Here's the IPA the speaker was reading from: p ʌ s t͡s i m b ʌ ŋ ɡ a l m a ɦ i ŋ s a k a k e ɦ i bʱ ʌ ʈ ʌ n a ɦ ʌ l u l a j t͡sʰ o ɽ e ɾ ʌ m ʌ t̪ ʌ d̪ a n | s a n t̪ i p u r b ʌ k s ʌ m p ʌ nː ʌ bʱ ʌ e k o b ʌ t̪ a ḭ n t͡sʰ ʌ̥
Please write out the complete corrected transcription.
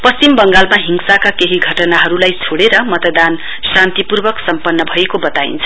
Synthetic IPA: p ʌ s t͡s i m b ʌ ŋ ɡ a l m a ɦ i ŋ s a k a k e ɦ i ɡʱ ʌ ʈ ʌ n a ɦ ʌ ɾ u l a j t͡sʰ o ɽ e ɾ ʌ m ʌ t̪ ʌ d̪ a n | s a n t̪ i p u r b ʌ k s ʌ m p ʌ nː ʌ bʱ ʌ e k o b ʌ t̪ a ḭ n t͡sʰ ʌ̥